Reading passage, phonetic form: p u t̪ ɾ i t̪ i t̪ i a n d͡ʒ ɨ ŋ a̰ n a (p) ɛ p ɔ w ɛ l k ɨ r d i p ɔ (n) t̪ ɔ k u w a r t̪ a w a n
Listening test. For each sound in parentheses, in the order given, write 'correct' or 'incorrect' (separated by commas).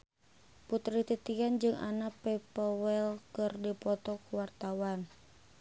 correct, incorrect